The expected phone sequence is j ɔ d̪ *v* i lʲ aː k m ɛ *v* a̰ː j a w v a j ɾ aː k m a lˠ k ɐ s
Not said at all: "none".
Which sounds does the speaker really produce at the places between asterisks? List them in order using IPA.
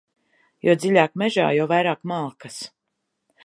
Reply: z, ʒ

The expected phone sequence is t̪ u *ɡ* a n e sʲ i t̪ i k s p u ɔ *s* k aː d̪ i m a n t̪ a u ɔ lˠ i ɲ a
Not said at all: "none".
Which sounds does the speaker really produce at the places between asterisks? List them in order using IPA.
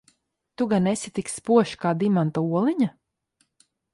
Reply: ɡ, ʃ

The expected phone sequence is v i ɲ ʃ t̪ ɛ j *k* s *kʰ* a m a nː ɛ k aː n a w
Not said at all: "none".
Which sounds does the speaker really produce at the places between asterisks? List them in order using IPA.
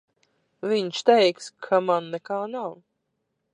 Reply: k, kʰ

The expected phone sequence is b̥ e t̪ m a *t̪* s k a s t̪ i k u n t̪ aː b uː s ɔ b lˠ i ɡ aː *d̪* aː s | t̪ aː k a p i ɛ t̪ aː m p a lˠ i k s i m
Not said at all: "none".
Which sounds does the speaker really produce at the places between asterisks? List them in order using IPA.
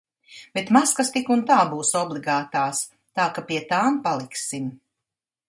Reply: none, t̪

